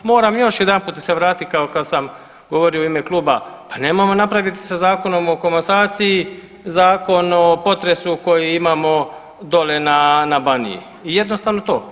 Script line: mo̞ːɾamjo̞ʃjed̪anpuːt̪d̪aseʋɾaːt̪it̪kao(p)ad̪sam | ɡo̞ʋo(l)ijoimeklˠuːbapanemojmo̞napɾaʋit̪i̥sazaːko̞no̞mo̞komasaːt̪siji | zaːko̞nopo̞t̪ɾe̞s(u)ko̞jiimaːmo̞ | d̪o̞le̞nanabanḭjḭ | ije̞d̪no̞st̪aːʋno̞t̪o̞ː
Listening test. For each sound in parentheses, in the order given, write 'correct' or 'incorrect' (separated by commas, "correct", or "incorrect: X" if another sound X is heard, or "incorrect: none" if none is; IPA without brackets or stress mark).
incorrect: k, incorrect: ɾ, correct